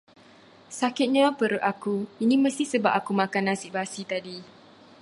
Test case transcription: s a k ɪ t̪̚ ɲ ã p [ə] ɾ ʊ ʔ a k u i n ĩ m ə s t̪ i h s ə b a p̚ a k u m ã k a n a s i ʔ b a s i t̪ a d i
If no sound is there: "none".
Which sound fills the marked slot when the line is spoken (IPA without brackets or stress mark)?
ə